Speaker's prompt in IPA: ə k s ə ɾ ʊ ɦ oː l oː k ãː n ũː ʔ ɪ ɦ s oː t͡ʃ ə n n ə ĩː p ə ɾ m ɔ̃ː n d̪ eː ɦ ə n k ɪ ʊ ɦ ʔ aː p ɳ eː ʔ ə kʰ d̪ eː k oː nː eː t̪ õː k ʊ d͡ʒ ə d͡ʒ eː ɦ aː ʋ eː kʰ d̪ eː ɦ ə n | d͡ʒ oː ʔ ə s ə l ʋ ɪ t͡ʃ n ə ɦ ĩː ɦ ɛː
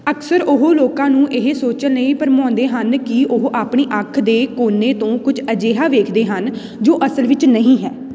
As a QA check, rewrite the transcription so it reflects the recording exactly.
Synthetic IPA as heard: ə k s ə ɾ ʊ ɦ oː l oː k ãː n ũː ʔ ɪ ɦ s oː t͡ʃ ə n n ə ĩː p ə ɾ m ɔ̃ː n d̪ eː ɦ ə n k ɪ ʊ ɦ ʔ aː p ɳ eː ʔ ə kʰ d̪ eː k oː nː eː t̪ õː k ʊ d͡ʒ ə d͡ʒ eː ɦ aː ʋ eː kʰ d̪ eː ɦ ə n | d͡ʒ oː ʔ ə s ə l ʋ ɪ t͡ʃ n ə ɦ ĩː ɦ ɛː